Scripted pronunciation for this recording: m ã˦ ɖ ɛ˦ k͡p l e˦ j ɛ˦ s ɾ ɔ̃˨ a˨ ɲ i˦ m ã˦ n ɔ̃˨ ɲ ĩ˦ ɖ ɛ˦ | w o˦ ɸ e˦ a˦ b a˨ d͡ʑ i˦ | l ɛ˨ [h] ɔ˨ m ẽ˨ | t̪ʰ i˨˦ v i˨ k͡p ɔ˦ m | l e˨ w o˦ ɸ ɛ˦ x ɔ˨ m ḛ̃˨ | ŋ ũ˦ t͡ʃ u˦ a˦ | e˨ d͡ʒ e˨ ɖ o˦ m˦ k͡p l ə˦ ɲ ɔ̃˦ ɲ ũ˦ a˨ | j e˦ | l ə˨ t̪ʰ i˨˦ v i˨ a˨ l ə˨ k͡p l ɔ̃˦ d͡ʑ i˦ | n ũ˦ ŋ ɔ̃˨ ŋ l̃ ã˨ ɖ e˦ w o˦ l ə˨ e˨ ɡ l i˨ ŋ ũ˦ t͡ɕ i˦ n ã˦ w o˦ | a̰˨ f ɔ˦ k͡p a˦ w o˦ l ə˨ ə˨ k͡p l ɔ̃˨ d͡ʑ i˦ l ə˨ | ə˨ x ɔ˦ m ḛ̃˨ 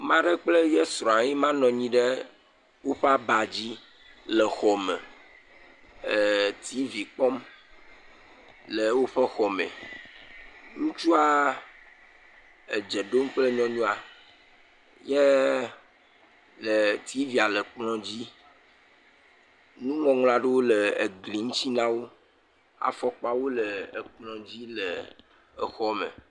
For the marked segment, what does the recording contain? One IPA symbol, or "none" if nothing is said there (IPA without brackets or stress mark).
x